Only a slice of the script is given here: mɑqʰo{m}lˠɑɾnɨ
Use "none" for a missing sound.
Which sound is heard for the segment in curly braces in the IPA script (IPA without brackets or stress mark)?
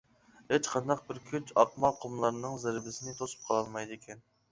m